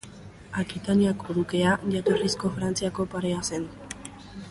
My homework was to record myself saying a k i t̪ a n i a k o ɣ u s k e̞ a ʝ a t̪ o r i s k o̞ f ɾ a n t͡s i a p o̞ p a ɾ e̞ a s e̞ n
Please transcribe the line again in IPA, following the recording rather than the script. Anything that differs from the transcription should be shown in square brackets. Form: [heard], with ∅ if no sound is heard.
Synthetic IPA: a k i t̪ a n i a k o [ð] u [∅] k e̞ a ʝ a t̪ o r i s k o̞ f ɾ a n t͡s i a [k] o̞ p a ɾ e̞ a s e̞ n